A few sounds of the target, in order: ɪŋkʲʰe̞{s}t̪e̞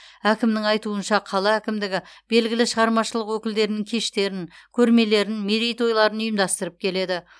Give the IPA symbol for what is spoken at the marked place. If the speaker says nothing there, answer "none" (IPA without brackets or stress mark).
ʃ